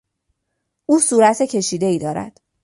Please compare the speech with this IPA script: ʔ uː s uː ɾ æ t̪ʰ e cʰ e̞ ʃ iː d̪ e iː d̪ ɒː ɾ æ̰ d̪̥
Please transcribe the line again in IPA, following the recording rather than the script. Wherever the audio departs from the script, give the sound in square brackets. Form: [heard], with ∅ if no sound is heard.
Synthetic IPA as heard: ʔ uː s uː ɾ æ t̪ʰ e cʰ e̞ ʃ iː d̪ e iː d̪ ɒː ɾ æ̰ d̪̥